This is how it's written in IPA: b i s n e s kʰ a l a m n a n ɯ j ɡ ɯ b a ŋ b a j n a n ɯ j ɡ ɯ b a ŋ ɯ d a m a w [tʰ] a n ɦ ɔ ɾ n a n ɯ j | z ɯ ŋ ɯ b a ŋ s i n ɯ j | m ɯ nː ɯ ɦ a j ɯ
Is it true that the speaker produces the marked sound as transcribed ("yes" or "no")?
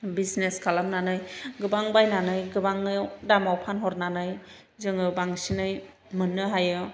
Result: no